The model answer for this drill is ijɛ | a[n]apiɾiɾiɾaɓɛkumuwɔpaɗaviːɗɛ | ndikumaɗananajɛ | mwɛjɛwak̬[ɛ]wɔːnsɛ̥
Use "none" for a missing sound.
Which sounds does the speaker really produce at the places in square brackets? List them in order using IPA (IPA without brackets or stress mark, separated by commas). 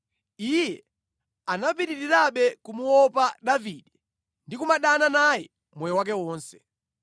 n, ɛ